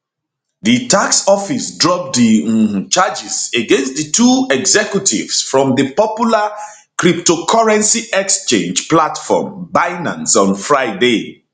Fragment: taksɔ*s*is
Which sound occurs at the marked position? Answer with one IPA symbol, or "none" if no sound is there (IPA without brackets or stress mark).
f